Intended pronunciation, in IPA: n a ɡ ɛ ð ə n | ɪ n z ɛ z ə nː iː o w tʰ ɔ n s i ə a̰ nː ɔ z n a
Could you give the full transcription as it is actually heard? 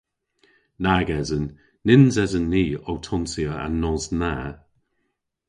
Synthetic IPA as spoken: n a ɡ ɛ z ə nː | ɪ n z ɛ z ə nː iː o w tʰ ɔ n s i ə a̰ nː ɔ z n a